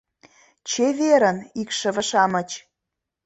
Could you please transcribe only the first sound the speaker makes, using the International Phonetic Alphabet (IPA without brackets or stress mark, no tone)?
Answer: t͡ɕ